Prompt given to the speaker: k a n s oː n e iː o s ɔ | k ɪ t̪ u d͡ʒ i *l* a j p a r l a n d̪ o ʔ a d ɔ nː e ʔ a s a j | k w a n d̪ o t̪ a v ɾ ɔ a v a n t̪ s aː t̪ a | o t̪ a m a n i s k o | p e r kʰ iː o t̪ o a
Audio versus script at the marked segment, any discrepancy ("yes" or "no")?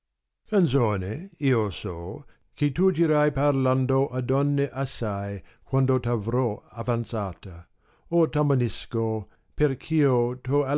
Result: yes